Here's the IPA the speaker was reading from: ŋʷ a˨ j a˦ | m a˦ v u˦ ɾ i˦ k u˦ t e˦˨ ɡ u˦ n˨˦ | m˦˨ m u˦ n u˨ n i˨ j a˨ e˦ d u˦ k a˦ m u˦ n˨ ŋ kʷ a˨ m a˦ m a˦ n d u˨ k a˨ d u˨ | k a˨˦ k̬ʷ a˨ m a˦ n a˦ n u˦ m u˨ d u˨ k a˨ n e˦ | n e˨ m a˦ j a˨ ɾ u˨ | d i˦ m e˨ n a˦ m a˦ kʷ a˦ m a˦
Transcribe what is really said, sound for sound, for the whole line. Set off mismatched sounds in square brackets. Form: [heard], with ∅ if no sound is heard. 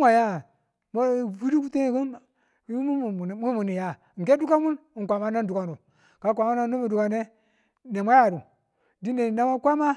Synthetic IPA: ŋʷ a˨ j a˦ | m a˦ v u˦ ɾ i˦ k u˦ t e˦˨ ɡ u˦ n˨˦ | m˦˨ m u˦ [m] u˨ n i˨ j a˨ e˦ d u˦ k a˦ m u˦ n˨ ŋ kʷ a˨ m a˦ [n] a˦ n d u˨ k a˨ [n] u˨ | k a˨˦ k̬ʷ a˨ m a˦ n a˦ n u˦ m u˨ d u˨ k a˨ n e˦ | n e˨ m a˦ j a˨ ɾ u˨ | d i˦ [n] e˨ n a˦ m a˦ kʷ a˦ m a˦